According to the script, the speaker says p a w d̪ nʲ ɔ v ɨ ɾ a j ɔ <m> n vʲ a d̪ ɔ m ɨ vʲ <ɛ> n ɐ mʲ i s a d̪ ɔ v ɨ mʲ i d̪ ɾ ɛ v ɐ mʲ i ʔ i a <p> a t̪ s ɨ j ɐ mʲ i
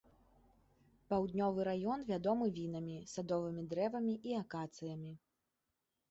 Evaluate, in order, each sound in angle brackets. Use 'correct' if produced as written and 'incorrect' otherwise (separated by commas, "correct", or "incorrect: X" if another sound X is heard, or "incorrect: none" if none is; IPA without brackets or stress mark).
incorrect: none, incorrect: i, incorrect: k